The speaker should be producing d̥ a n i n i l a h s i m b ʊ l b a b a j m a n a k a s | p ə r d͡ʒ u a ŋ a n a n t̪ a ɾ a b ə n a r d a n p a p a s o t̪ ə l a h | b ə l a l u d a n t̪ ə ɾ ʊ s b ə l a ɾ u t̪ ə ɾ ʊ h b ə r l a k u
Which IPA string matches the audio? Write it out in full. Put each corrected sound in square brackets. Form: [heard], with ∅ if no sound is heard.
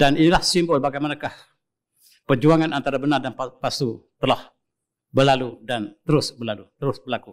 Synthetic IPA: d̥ a n i n i l a h s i m b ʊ l b a [ɡ] a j m a n a k a [h] | p ə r d͡ʒ u a ŋ a n a n t̪ a ɾ a b ə n a r d a n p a p a s [u] t̪ ə l a h | b ə l a l u d a n t̪ ə ɾ ʊ s b ə l a [l] u t̪ ə ɾ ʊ [s] b ə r l a k u